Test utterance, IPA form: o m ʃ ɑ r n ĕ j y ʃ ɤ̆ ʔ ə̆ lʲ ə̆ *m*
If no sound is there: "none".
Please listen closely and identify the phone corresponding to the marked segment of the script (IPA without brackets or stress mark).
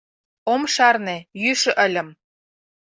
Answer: m